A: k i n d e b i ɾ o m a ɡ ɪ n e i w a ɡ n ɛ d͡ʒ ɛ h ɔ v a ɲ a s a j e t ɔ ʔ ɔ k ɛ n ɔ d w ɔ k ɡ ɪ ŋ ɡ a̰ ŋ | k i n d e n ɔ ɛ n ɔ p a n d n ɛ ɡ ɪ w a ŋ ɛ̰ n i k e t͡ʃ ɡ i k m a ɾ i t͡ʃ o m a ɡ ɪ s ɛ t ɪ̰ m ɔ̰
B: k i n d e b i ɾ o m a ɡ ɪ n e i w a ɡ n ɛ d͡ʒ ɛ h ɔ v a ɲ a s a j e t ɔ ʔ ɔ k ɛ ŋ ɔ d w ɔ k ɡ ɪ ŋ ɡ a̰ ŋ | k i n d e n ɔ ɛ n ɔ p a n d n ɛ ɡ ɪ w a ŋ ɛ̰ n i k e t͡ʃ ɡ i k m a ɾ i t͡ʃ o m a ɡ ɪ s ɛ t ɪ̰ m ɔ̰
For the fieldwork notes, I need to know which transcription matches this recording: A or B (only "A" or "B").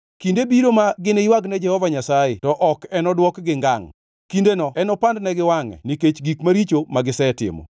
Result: A